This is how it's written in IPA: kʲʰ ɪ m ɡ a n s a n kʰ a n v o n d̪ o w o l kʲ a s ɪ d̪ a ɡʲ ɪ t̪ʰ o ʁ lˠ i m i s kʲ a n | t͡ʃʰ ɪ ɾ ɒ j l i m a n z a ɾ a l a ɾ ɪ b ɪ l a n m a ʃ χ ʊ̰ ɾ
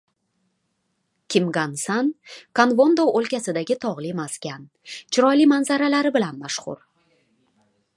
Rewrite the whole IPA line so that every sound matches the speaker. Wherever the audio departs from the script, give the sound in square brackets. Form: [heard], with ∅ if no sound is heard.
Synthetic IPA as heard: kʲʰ ɪ m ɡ a n s a n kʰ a n v o n d̪ o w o l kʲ a s ɪ d̪ a ɡʲ ɪ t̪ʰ [ɒ] ʁ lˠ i m [a] s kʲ a n | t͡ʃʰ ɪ ɾ ɒ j l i m a n z a ɾ a l a ɾ ɪ b ɪ l a n m a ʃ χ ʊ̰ ɾ